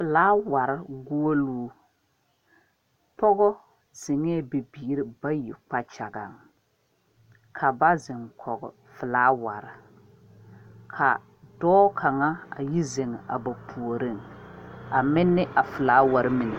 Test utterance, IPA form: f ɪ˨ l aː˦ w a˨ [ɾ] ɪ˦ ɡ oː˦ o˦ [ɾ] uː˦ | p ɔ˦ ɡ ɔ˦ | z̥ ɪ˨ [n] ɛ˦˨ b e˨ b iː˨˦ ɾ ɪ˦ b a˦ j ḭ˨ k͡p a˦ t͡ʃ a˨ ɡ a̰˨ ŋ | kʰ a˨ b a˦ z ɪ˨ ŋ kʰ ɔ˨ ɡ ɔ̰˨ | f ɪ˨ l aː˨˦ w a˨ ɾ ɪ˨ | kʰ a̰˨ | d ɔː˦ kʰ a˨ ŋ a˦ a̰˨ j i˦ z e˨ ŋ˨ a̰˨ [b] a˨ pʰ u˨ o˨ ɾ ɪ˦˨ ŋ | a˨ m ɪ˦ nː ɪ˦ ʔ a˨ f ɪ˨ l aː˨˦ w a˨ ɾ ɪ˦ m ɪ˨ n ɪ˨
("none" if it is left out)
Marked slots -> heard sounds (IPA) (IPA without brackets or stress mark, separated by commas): ɾ, l, ŋ, b